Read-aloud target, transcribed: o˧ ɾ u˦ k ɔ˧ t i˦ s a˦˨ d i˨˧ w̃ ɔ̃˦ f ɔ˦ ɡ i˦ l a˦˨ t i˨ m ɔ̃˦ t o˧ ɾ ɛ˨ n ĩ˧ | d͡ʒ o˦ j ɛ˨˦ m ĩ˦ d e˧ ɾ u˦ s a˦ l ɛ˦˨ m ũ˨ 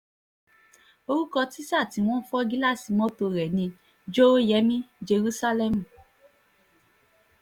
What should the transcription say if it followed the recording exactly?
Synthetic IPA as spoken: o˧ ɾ u˦ k ɔ˧ t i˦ s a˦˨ t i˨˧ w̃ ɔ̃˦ f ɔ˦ ɡ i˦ l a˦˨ s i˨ m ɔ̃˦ t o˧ ɾ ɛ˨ n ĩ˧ | d͡ʒ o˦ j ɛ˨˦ m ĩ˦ d͡ʒ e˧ ɾ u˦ s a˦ l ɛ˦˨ m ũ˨

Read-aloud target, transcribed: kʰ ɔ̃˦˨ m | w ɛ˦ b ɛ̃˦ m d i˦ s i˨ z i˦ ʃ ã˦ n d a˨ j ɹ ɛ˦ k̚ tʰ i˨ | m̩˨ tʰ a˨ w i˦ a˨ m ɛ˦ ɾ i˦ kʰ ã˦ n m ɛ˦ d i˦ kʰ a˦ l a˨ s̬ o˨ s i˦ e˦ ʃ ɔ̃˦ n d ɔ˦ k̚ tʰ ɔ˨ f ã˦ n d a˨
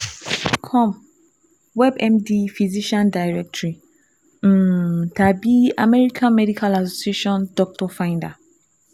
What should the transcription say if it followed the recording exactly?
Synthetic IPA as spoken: kʰ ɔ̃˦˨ m | w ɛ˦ b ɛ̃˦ m d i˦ f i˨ z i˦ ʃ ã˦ n d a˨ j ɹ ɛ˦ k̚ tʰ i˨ | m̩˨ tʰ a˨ b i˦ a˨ m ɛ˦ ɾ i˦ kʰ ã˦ n m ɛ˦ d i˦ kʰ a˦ l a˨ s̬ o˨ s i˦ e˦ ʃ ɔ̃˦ n d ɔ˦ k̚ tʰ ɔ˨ f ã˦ n d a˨

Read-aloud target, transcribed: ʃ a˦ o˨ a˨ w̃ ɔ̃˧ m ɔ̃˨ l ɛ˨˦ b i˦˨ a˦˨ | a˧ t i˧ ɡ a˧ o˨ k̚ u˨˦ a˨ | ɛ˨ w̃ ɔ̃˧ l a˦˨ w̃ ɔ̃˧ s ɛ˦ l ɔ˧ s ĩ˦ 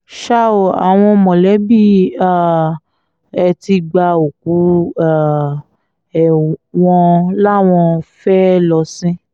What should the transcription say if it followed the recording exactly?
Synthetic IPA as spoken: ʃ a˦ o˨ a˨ w̃ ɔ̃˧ m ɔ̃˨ l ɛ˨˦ b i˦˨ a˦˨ | ɛ˧ t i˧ ɡ͡b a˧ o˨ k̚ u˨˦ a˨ | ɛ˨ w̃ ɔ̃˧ l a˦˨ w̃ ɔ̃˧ f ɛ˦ l ɔ˧ s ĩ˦

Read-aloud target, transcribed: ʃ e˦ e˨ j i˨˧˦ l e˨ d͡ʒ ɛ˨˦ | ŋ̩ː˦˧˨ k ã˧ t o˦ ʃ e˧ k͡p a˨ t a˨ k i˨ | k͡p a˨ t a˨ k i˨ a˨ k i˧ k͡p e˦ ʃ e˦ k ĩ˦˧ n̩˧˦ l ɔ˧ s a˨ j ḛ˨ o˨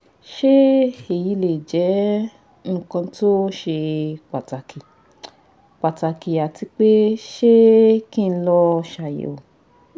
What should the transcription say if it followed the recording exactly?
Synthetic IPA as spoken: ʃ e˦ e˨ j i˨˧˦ l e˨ d͡ʒ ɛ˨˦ | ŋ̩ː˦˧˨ k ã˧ t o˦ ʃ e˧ k͡p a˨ t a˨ k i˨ | k͡p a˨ t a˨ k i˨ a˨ t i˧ k͡p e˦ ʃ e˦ k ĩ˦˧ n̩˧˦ l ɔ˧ ʃ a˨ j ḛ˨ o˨

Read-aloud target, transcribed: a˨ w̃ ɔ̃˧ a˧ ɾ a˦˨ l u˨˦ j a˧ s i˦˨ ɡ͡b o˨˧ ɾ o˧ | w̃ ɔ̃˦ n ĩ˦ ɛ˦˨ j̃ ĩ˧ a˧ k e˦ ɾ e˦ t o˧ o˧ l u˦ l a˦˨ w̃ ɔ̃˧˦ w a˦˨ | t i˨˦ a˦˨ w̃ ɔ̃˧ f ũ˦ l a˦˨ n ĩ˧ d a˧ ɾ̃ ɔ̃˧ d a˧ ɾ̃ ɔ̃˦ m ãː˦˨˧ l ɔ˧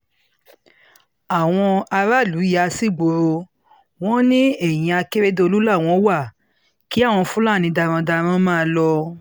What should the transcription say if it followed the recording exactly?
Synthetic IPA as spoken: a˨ w̃ ɔ̃˧ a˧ ɾ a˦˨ l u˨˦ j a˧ s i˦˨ ɡ͡b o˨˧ ɾ o˧ | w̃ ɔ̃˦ n ĩ˦ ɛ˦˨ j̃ ĩ˧ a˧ k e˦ ɾ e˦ d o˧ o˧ l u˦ l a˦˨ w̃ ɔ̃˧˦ w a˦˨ | k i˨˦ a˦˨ w̃ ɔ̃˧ f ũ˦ l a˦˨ n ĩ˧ d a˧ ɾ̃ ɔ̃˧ d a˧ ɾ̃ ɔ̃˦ m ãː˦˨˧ l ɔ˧

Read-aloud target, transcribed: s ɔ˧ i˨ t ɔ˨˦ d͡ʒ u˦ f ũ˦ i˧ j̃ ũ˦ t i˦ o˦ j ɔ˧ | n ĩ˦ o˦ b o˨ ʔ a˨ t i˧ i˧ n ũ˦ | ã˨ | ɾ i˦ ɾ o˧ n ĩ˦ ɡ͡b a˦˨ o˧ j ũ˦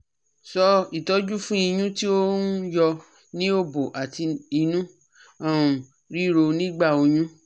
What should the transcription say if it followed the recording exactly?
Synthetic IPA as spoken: s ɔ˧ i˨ t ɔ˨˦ d͡ʒ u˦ f ũ˦ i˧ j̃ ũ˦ t i˦ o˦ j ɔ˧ | n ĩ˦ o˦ b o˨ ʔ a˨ t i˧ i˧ n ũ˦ | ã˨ | ɾ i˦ ɾ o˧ n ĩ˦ ɡ͡b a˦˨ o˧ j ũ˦

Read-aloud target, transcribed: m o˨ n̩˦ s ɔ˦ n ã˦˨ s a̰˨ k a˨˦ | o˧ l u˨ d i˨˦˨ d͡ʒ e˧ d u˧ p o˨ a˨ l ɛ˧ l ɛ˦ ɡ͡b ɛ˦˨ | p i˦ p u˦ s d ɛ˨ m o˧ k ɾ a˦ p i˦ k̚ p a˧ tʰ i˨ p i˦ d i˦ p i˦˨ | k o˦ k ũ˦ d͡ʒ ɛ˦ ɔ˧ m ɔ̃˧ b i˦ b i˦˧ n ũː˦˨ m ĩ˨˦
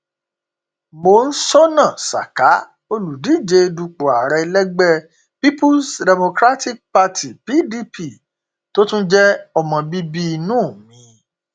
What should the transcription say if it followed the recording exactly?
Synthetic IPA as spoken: m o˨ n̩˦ s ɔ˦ n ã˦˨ s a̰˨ k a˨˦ | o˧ l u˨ d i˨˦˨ d͡ʒ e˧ d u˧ k͡p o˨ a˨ ɾ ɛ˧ l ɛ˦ ɡ͡b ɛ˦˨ | p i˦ p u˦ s d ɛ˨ m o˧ k ɾ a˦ t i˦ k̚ p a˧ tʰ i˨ p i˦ d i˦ p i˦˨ | t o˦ t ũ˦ d͡ʒ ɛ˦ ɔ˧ m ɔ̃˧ b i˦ b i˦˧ n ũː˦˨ m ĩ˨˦

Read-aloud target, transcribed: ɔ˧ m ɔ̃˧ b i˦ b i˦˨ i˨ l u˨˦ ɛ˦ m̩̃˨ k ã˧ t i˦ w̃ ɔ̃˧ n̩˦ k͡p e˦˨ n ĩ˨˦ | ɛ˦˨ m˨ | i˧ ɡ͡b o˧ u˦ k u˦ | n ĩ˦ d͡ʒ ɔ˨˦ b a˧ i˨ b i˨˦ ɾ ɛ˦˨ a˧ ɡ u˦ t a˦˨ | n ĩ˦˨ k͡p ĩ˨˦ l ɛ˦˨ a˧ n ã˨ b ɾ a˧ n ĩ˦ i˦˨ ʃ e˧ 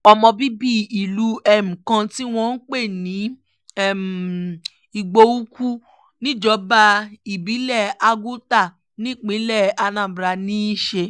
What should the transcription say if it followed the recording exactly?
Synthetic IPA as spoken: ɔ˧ m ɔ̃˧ b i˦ b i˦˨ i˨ l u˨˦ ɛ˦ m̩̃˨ k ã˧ t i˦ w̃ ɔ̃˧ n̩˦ k͡p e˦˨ n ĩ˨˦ | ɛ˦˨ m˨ | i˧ ɡ͡b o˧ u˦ k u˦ | n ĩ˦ d͡ʒ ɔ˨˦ b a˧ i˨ b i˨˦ l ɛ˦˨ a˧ ɡ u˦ t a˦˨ | n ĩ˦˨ k͡p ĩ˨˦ l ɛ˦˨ a˧ n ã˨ b ɾ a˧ n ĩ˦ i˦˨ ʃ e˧

